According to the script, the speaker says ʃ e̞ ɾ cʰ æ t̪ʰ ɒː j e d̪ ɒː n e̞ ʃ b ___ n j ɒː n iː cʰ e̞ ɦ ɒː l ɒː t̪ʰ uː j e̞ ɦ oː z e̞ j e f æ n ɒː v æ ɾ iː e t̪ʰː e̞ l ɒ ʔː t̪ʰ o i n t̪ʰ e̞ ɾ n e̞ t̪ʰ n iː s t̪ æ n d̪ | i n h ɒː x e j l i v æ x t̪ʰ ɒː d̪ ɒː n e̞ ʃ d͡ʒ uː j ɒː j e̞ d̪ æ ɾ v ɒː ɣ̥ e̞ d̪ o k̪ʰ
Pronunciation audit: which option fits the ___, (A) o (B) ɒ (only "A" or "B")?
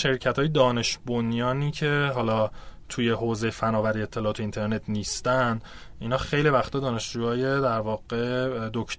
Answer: A